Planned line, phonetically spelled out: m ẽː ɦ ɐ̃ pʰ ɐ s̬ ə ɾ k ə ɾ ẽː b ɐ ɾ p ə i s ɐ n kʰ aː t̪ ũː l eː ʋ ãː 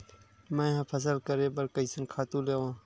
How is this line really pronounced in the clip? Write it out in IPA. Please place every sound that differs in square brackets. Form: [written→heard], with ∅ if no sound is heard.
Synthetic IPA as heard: m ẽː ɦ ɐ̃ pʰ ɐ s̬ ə [ɾ→l] k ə ɾ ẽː b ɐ ɾ [p→k] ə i s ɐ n kʰ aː t̪ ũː l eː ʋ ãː